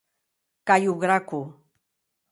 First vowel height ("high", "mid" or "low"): low